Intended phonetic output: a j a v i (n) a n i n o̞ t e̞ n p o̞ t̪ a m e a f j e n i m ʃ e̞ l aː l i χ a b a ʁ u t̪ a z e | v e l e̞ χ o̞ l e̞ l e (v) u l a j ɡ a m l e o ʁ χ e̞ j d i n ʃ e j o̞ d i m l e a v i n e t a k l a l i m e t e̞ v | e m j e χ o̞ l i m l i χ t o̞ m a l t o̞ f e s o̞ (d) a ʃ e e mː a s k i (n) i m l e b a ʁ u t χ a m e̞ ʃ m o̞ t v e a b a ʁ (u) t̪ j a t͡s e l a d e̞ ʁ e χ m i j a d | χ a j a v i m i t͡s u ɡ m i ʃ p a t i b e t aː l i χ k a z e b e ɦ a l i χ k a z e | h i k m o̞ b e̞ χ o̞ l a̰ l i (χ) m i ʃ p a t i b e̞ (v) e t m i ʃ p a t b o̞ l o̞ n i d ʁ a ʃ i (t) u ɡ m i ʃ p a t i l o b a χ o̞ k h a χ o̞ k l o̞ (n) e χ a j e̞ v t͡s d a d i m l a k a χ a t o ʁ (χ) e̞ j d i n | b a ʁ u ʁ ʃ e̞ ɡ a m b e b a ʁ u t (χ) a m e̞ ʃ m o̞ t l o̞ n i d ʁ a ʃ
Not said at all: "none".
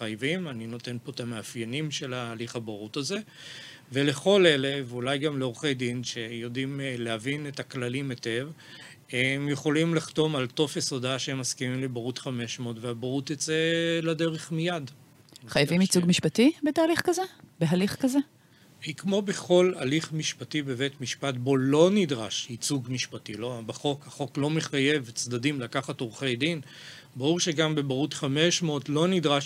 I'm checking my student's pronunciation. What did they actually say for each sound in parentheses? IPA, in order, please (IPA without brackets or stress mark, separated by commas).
m, v, d, m, u, χ, v, t͡s, m, χ, χ